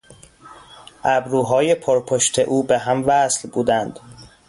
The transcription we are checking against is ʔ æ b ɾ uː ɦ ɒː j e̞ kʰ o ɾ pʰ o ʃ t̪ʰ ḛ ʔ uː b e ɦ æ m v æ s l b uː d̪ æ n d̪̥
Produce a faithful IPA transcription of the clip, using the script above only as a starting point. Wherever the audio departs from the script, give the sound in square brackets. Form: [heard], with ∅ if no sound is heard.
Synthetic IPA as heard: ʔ æ b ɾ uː ɦ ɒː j e̞ [pʰ] o ɾ pʰ o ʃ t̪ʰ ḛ ʔ uː b e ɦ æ m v æ s l b uː d̪ æ n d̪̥